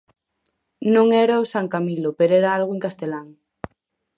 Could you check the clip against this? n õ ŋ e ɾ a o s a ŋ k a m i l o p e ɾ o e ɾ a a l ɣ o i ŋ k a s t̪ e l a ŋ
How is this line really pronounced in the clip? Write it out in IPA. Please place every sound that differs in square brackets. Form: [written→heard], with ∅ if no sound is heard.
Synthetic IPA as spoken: n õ ŋ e ɾ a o s a ŋ k a m i l o p e ɾ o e ɾ a a l ɣ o [i→e] ŋ k a s t̪ e l a ŋ